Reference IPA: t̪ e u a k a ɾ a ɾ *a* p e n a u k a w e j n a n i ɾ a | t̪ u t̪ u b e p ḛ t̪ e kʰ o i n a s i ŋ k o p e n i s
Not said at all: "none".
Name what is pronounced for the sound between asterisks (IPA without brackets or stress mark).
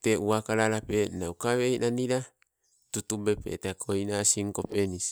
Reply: a